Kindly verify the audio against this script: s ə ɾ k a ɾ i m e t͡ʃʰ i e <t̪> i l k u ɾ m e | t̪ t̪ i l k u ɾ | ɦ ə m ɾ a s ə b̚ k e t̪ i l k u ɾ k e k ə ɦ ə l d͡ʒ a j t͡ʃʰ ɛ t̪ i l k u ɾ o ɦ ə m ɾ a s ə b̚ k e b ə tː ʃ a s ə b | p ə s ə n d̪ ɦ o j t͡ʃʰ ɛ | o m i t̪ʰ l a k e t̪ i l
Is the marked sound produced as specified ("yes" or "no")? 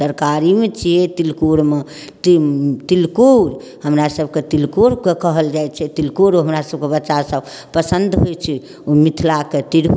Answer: yes